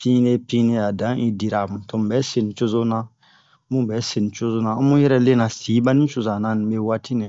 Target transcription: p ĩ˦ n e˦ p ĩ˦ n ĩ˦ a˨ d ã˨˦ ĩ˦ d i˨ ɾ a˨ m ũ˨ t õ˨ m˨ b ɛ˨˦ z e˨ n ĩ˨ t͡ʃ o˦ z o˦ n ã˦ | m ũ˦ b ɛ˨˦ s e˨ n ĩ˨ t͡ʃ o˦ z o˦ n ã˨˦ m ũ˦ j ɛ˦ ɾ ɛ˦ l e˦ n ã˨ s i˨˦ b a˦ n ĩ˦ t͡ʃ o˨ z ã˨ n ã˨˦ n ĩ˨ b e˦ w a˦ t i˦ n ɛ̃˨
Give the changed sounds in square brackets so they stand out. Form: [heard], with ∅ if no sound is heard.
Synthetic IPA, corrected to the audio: p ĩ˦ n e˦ p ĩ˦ n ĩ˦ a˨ d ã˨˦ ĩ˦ d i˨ ɾ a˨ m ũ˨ t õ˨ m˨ b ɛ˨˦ [s] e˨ n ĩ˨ t͡ʃ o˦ z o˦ n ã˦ | m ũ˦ b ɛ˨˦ s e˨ n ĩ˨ t͡ʃ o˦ z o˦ n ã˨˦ m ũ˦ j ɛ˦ ɾ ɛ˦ l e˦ n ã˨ s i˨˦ b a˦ n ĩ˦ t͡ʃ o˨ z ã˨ n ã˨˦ n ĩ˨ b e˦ w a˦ t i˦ n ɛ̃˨